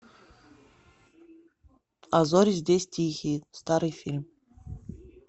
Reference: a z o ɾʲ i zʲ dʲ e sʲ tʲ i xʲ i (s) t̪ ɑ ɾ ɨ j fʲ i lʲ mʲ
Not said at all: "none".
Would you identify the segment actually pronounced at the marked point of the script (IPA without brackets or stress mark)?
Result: s